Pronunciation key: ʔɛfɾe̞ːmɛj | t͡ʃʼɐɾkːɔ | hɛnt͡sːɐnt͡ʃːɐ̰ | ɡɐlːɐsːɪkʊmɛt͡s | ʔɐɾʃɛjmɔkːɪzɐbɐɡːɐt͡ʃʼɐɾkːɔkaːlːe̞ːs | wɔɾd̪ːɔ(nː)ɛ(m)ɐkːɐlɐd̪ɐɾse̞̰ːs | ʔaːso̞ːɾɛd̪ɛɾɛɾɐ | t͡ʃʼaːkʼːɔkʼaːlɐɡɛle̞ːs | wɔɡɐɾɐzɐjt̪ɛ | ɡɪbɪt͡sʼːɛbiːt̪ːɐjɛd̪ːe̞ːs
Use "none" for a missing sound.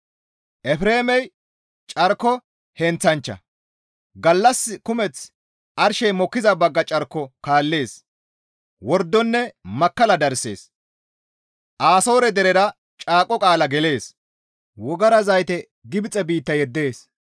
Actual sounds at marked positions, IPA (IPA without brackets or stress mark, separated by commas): nː, m